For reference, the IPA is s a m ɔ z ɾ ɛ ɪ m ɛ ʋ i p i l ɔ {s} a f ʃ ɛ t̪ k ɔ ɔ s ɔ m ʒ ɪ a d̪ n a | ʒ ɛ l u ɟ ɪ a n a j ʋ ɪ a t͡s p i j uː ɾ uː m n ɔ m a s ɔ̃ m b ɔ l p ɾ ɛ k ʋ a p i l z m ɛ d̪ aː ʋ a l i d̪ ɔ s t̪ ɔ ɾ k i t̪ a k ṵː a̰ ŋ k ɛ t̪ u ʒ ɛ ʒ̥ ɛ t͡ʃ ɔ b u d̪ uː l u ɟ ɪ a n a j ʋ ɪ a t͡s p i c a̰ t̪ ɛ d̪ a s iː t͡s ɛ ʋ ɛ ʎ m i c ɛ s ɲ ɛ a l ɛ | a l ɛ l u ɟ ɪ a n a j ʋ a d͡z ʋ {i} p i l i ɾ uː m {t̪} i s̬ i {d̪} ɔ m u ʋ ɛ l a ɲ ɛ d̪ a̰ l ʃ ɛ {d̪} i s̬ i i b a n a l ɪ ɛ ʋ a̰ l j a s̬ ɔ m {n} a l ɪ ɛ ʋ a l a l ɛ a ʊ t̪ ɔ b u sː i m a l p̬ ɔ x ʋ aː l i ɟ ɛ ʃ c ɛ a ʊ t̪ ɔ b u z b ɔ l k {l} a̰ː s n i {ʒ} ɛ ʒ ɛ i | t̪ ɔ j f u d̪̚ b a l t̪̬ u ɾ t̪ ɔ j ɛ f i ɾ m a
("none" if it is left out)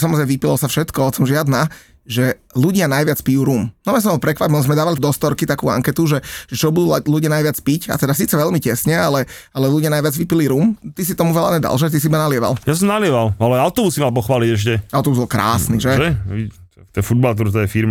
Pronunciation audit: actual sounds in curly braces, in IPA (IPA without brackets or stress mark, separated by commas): s, i, t̪, t̪, t̪, n, ɾ, ʒ